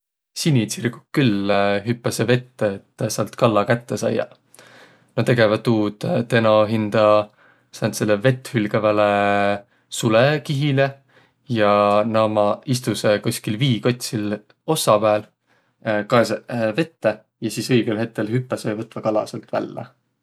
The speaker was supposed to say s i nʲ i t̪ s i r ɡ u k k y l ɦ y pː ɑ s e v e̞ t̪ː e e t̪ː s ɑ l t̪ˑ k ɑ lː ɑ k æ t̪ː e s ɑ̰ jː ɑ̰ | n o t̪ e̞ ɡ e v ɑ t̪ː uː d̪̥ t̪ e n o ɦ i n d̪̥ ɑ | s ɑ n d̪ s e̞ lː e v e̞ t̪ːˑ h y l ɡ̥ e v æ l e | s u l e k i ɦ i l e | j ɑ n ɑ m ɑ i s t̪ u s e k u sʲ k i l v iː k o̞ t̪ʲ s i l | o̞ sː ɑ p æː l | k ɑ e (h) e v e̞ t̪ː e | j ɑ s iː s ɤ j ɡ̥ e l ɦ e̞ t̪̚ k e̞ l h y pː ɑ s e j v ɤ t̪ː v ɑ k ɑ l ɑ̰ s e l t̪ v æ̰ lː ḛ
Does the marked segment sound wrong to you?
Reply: yes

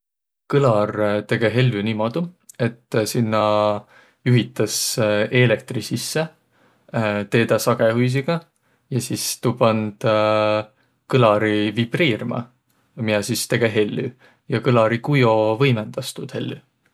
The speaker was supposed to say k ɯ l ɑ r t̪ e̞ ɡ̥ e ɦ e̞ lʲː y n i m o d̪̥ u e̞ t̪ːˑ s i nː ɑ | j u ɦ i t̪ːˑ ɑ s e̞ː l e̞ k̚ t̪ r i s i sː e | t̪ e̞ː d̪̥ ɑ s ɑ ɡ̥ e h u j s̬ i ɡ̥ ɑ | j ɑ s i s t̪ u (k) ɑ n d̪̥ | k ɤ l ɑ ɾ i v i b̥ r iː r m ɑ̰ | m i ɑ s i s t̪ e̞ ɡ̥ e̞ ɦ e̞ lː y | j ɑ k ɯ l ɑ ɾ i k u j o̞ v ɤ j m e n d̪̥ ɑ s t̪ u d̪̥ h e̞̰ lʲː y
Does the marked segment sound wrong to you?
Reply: yes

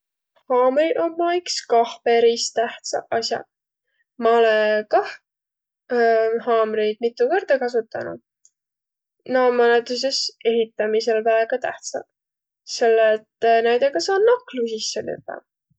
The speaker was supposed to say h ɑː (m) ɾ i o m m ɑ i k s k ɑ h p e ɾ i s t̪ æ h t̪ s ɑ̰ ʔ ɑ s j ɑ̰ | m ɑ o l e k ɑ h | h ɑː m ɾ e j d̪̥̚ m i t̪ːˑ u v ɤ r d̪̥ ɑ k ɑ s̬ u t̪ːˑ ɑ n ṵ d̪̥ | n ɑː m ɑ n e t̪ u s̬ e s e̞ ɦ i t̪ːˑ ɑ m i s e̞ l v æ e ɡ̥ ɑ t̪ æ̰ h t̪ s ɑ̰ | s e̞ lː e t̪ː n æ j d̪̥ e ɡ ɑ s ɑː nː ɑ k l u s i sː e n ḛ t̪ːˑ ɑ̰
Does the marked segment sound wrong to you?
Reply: no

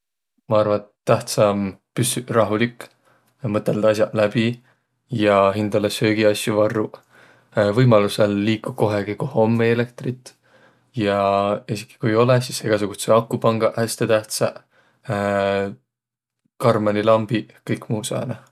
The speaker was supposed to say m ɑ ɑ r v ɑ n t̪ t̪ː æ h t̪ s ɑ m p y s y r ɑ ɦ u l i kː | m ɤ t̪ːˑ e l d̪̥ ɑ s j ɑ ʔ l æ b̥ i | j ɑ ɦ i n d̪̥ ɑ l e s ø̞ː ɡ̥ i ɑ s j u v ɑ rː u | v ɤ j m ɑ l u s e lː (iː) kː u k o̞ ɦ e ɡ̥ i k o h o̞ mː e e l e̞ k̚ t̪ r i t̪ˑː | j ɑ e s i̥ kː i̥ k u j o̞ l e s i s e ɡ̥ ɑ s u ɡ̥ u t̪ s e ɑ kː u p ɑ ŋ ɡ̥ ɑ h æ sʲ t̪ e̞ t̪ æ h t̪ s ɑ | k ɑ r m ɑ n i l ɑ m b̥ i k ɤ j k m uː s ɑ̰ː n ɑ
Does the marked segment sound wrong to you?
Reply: no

